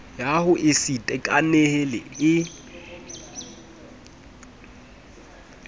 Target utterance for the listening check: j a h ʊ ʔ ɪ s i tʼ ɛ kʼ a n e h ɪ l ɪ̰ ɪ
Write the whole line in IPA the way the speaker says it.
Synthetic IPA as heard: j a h ʊ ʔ ɪ s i tʼ ɛ kʼ a n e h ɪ l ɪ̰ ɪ